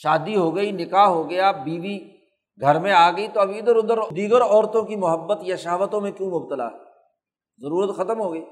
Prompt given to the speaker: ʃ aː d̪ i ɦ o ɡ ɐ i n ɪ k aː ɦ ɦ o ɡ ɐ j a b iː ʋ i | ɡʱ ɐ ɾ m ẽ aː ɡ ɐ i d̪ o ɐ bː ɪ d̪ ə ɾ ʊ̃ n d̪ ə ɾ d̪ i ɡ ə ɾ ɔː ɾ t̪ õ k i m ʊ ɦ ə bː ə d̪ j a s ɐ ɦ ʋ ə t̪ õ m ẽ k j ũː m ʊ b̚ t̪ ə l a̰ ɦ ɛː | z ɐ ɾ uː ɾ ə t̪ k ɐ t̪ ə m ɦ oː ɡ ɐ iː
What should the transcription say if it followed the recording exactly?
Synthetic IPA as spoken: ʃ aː d̪ i ɦ o ɡ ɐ i n ɪ k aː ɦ ɦ o ɡ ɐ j a b iː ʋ i | ɡʱ ɐ ɾ m ẽ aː ɡ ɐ i t̪ o ɐ b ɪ d̪ ə ɾ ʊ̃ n d̪ ə ɾ d̪ iː ɡ ə ɾ ɔː ɾ t̪ õ k i m ʊ ɦ ə bː ə t̪ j a ʃ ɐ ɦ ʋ ə t̪ õ m ẽ k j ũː m ʊ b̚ t̪ ə l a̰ ɦ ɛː | z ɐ ɾ uː ɾ ə t̪ x ɐ t̪ ə m ɦ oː ɡ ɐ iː